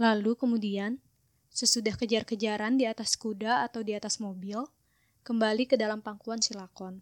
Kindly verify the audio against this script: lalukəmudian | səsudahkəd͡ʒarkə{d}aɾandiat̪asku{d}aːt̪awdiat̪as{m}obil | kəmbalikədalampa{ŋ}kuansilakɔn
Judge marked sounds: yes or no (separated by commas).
no, yes, yes, yes